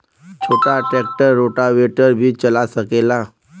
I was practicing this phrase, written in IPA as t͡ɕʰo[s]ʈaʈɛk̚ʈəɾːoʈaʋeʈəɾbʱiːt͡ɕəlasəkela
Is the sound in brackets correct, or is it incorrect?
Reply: incorrect